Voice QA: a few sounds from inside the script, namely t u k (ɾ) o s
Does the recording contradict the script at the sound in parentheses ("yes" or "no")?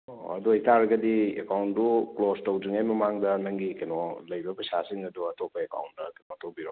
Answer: yes